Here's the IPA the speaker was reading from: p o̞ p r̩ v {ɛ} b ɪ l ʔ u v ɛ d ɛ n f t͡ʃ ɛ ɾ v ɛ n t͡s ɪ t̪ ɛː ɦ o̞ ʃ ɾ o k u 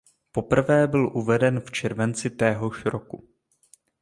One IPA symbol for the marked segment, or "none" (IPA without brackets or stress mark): ɛː